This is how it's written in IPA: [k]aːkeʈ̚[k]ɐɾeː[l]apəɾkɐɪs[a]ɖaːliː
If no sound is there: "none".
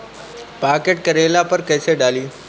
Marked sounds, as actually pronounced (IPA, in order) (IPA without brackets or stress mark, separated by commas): p, k, l, e